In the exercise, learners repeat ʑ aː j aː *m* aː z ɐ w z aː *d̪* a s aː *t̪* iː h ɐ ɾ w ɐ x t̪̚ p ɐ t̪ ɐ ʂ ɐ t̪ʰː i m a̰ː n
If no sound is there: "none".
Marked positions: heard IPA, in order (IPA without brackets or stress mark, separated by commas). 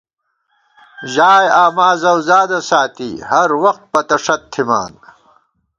m, d̪, t̪